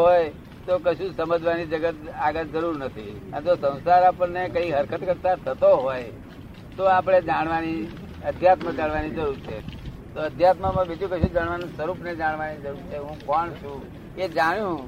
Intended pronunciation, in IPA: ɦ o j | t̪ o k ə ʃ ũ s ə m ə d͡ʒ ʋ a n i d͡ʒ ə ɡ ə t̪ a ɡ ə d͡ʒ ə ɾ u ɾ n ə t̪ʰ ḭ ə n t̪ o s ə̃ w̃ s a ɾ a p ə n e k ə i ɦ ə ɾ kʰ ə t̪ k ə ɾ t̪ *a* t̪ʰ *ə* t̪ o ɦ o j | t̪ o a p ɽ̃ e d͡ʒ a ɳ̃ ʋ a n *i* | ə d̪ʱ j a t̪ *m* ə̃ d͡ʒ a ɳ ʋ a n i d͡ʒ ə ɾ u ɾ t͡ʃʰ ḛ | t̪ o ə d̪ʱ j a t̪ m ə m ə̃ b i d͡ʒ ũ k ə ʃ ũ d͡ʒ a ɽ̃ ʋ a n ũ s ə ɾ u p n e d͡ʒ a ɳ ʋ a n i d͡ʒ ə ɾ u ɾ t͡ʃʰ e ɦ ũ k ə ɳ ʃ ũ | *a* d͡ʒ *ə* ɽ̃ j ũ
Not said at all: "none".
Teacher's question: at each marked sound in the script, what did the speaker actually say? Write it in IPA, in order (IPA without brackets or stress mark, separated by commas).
a, ə, i, m, e, a